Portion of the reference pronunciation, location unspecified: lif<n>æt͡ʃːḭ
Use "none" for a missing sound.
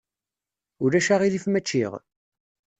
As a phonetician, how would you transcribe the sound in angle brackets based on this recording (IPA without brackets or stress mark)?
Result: m